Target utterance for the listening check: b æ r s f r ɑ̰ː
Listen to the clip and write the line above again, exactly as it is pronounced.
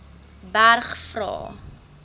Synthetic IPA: b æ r χ f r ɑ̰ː